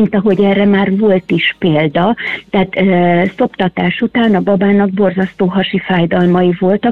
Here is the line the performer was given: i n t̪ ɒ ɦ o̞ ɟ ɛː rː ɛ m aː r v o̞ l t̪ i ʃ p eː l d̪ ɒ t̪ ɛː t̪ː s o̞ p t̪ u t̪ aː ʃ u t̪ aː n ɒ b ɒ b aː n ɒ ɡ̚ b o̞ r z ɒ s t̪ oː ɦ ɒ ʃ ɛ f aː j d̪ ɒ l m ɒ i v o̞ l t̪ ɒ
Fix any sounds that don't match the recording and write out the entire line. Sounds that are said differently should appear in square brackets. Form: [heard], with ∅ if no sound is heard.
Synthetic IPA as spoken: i n t̪ ɒ ɦ o̞ ɟ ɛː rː ɛ m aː r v o̞ l t̪ i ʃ p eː l d̪ ɒ t̪ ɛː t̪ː s o̞ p t̪ [ɒ] t̪ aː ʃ u t̪ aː n ɒ b ɒ b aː n ɒ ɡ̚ b o̞ r z ɒ s t̪ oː ɦ ɒ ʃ [i] f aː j d̪ ɒ l m ɒ i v o̞ l t̪ ɒ